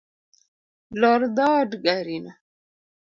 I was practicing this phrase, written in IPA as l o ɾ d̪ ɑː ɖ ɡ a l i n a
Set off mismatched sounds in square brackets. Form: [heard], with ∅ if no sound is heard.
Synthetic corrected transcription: l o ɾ d̪ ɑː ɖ ɡ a [ɾ] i n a